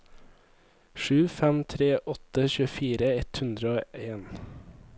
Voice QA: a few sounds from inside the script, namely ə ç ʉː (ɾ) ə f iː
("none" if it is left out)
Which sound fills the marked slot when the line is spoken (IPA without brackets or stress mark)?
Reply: none